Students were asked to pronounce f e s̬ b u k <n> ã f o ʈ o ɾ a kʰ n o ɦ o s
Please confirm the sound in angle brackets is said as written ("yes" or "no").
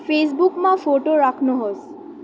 no